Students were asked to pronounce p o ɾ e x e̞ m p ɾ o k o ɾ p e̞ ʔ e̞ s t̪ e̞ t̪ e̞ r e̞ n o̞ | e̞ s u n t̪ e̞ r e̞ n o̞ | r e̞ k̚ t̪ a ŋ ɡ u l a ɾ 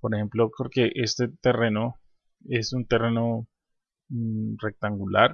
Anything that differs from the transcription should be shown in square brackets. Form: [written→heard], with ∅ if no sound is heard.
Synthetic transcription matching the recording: p o ɾ e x e̞ m p [ɾ→l] o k o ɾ [p→k] e̞ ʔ e̞ s t̪ e̞ t̪ e̞ r e̞ n o̞ | e̞ s u n t̪ e̞ r e̞ n o̞ | r e̞ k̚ t̪ a ŋ ɡ u l a ɾ